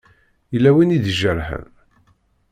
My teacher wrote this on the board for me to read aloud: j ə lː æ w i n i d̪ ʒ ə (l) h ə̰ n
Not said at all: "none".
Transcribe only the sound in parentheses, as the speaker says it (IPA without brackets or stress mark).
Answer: ɾ